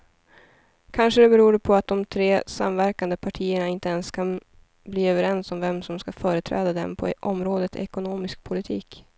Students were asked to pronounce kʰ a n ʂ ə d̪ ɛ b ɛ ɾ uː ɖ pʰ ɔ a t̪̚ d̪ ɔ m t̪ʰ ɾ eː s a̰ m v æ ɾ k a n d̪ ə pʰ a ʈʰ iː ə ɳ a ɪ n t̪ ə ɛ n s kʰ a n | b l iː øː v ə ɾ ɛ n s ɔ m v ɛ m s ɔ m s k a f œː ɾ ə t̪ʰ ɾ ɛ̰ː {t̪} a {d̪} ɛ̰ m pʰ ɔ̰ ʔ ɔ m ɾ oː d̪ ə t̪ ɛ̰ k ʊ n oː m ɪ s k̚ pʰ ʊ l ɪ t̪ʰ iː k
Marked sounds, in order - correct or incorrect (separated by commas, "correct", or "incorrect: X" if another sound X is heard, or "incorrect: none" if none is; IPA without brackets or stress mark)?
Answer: incorrect: d̪, correct